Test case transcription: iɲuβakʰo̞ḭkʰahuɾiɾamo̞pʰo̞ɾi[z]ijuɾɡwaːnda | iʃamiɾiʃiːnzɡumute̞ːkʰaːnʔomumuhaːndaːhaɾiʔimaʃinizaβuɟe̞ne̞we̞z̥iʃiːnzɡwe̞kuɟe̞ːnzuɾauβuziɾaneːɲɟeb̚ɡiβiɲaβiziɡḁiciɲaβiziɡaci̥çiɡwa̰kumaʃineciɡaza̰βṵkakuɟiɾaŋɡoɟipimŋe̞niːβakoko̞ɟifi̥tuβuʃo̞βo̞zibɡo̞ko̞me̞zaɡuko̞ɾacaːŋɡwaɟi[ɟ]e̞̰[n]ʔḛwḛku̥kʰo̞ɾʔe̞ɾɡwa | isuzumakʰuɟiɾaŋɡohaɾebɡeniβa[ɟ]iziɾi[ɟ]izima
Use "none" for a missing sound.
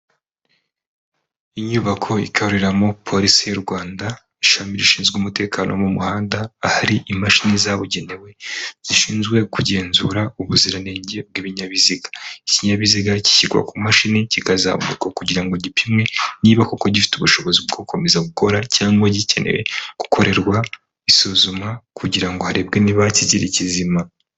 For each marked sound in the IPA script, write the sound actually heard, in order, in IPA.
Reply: s, c, n, c, c

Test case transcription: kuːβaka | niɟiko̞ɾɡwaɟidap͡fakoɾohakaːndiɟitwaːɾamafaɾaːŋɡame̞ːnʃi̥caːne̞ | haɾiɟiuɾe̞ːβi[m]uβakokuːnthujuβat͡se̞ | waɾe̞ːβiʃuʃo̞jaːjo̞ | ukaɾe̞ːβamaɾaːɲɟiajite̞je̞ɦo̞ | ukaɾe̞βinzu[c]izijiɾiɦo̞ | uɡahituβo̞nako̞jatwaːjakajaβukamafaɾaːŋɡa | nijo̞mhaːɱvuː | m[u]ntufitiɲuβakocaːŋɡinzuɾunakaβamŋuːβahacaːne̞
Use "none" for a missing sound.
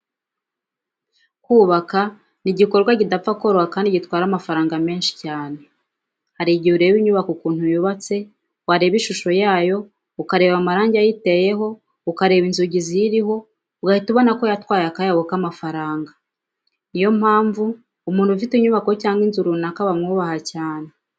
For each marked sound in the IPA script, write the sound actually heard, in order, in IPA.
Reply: ɲ, ɟ, uː

